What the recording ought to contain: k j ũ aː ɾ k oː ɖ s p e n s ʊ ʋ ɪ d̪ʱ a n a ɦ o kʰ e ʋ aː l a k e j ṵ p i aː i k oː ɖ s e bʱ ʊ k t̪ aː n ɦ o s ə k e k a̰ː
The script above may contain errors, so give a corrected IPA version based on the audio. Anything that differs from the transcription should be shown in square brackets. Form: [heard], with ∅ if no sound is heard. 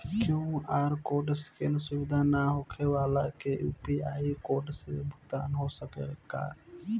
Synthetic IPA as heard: k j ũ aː ɾ k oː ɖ s [k] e n s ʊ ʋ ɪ d̪ʱ a n a ɦ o kʰ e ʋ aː l a k e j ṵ p i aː i k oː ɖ s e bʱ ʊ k t̪ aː n ɦ o s ə k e k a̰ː